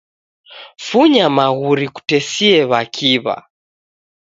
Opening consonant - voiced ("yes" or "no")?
no